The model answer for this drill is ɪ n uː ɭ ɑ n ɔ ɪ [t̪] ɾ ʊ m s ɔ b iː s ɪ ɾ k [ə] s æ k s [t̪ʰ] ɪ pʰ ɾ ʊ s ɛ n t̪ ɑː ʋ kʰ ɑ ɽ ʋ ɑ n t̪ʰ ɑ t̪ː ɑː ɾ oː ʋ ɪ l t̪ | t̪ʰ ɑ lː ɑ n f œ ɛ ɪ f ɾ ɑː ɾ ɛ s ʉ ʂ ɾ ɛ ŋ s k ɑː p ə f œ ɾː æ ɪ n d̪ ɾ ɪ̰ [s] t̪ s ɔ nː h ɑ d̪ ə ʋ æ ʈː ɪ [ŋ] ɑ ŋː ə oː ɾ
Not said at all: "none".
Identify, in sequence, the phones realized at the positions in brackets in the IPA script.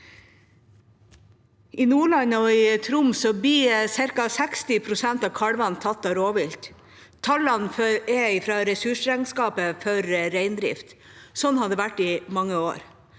t̪ʰ, ɑ, t̪, f, m

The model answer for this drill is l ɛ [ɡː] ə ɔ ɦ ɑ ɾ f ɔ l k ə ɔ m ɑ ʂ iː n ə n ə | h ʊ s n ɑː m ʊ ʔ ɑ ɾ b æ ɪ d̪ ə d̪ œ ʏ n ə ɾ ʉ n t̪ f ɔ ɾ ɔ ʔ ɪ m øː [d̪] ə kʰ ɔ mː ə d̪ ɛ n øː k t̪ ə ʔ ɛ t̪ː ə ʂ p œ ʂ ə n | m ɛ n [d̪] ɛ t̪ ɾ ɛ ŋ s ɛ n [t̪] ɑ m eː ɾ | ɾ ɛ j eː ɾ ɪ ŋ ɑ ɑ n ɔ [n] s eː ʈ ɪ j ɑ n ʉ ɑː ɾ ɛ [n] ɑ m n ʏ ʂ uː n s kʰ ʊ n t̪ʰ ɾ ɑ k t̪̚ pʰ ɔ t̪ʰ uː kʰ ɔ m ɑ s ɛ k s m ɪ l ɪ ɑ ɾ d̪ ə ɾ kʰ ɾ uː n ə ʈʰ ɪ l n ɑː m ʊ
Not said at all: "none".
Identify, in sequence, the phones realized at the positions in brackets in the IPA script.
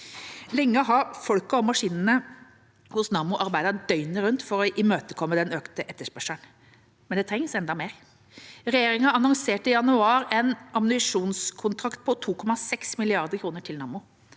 ŋː, t̪, d̪, d̪, ŋ, n

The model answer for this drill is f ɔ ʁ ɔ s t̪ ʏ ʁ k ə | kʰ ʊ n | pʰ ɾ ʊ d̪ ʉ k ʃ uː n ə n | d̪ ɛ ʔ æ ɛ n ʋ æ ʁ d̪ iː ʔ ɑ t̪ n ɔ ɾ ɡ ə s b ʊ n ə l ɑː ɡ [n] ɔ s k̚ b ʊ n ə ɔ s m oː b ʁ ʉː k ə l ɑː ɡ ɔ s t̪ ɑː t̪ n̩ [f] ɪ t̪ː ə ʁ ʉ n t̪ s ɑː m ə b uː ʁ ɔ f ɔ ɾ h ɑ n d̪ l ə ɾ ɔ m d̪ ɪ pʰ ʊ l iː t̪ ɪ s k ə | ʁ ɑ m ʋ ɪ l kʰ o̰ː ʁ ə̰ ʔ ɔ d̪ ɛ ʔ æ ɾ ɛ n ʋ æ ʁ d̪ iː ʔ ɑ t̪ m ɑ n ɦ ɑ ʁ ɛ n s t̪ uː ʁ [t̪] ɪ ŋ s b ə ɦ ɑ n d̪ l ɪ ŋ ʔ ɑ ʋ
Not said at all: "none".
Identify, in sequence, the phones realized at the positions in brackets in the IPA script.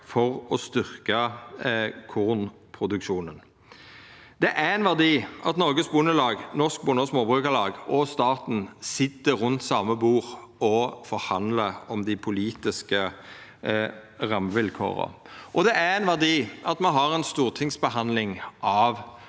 n, s, t̪ʰ

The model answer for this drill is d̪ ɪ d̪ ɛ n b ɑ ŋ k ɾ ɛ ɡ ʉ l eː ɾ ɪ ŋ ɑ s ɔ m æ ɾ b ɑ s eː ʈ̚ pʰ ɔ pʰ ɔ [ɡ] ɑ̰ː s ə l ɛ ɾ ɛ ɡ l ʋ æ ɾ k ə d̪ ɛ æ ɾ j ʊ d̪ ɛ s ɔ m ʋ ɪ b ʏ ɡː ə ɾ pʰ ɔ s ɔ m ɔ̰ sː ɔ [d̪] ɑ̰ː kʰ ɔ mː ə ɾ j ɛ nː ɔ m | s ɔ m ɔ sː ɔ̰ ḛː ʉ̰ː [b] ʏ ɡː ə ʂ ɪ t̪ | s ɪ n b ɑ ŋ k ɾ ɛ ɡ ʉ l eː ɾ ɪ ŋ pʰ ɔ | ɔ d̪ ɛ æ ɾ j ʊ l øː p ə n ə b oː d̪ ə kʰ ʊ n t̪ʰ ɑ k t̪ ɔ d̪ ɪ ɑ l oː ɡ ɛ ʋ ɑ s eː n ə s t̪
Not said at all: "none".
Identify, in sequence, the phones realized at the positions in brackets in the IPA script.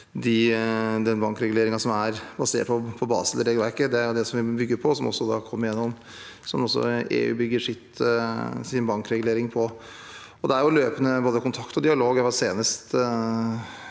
b, d̪, b

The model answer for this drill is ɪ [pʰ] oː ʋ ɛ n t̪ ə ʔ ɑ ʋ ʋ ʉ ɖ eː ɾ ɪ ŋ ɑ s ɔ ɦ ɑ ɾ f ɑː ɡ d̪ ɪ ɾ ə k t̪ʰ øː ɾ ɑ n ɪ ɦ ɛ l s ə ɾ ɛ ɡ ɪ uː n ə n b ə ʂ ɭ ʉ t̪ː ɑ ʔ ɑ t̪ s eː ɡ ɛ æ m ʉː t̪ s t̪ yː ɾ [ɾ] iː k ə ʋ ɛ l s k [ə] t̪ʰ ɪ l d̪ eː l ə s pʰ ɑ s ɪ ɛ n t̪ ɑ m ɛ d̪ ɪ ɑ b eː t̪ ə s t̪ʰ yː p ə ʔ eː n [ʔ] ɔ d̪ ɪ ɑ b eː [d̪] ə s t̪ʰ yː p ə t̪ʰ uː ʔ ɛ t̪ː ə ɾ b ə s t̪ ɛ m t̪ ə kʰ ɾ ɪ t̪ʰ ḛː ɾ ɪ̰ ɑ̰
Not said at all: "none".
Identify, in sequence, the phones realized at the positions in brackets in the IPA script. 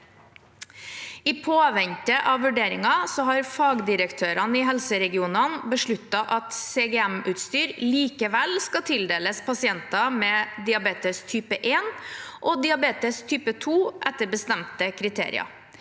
pʰ, l, ɑ, ʔ, t̪

